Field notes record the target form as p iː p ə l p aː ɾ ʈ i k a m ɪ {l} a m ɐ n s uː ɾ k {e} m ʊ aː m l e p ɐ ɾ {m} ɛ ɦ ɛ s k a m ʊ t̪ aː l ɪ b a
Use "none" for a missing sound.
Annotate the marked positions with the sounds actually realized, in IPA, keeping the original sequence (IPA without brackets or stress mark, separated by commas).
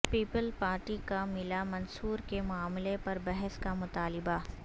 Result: l, e, b